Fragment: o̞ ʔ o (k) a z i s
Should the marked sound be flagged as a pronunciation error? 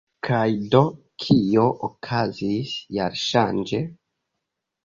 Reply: yes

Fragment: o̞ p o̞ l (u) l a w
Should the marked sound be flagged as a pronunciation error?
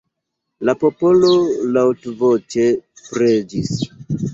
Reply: yes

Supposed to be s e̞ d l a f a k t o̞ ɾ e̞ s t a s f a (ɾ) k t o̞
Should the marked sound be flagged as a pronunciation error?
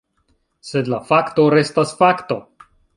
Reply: yes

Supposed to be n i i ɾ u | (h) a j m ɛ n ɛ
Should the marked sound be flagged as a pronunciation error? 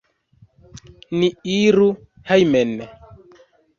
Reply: no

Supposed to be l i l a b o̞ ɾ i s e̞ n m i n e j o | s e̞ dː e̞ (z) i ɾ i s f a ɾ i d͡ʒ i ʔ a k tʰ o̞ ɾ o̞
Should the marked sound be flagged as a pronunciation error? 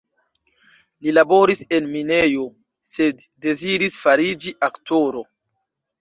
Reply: no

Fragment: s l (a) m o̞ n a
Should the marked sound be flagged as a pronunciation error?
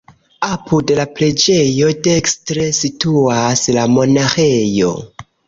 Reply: no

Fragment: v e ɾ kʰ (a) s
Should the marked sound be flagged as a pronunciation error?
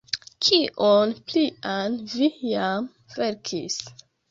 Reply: yes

